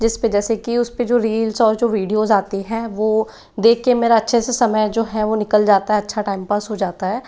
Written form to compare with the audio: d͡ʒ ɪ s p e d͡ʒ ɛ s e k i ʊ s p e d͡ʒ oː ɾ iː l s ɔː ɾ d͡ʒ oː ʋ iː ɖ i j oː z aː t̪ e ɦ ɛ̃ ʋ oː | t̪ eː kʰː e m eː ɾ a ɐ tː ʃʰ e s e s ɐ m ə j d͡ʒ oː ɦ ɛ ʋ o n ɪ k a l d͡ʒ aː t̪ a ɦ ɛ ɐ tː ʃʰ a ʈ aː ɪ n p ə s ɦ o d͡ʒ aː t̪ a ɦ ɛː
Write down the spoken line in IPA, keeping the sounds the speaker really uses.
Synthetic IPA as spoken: d͡ʒ ɪ s p e d͡ʒ ɛː s e k i ʊ s p e d͡ʒ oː ɾ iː l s ɔː ɾ d͡ʒ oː ʋ iː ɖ i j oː z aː t̪ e ɦ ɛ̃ ʋ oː | d̪ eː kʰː e m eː ɾ a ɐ tː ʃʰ e s e s ɐ m ə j d͡ʒ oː ɦ ɛ ʋ o n ɪ k ə l d͡ʒ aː t̪ a ɦ ɛ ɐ tː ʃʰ a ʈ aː ɪ m p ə s ɦ o d͡ʒ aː t̪ a ɦ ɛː